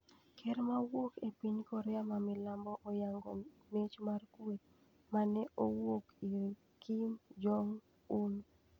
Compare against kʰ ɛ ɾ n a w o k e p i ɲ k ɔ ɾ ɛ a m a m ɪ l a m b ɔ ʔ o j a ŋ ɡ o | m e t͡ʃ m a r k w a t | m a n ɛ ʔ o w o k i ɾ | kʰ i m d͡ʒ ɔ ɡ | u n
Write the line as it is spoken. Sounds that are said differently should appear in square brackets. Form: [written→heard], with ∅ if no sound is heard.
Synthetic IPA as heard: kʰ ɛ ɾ [n→m] a w o k e p i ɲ k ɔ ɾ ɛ a m a m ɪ l a m b ɔ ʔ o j a ŋ ɡ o | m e t͡ʃ m a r k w [a→e] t | m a n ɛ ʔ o w o k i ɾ | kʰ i m d͡ʒ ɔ [ɡ→ŋ] | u n

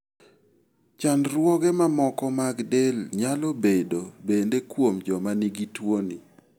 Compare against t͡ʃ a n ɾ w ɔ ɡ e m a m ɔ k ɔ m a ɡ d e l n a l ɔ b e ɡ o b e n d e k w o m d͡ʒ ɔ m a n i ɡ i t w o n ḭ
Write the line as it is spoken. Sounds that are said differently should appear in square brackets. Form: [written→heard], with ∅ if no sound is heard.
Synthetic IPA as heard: t͡ʃ a n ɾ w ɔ ɡ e m a m ɔ k ɔ m a ɡ d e l [n→ɲ] a l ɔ b e [ɡ→d] o b e n d e k w o m d͡ʒ ɔ m a n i ɡ i t w o n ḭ

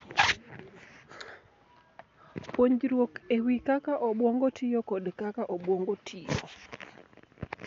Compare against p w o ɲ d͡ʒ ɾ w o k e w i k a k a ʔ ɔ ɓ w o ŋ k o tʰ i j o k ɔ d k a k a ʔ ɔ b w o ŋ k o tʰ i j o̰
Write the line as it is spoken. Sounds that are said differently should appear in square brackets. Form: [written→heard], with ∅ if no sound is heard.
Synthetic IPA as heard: p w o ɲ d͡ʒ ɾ w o k e w i k a k a ʔ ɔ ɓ w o ŋ [k→ɡ] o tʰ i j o k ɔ d k a k a ʔ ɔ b w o ŋ [k→ɡ] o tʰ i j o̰

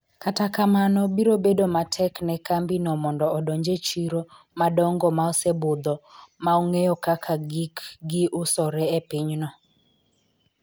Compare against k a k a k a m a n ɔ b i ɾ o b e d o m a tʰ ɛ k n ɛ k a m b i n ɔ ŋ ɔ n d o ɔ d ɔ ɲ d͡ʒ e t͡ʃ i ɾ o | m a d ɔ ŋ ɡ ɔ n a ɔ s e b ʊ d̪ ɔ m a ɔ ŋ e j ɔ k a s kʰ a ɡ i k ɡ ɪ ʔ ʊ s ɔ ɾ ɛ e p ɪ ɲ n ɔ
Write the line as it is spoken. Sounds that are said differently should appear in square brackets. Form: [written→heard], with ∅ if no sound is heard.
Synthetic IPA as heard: k a [k→t] a k a m a n ɔ b i ɾ o b e d o m a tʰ ɛ k n ɛ k a m b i n ɔ [ŋ→m] ɔ n d [o→ɔ] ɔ d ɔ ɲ d͡ʒ e t͡ʃ i ɾ o | m a d ɔ ŋ ɡ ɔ [n→m] a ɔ s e b ʊ d̪ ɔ m a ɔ ŋ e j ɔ k a [s→∅] kʰ a ɡ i k ɡ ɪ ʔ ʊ s ɔ ɾ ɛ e p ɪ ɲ n ɔ

